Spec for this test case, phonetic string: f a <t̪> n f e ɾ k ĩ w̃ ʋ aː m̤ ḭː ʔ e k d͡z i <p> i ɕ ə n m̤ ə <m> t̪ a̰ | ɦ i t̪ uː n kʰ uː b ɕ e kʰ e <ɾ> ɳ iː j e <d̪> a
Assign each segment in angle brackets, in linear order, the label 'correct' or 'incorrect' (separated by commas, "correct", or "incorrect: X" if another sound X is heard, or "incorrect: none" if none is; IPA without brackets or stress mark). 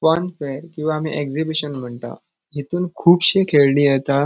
incorrect: none, incorrect: b, incorrect: ɳ, incorrect: ɭ, incorrect: t̪